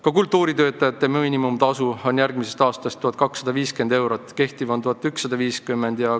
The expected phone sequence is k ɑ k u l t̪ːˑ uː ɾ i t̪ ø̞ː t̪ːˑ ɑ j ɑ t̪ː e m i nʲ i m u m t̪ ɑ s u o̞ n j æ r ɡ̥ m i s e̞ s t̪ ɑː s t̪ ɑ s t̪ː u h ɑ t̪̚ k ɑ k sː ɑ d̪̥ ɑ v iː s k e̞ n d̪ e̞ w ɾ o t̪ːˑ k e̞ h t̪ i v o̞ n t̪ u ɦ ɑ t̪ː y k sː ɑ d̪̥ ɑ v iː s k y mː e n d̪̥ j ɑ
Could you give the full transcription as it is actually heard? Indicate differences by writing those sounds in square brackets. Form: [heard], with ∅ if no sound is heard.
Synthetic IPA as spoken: k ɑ k u l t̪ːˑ uː ɾ i t̪ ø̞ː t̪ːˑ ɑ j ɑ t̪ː e m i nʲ i m u m t̪ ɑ s u o̞ n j æ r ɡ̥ m i s e̞ s t̪ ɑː s t̪ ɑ s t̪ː u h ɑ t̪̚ k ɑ k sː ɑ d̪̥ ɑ v iː s k e̞ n d̪ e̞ w ɾ o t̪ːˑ k e̞ h t̪ i v o̞ n t̪ u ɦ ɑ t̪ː y k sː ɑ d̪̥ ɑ v iː s k y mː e n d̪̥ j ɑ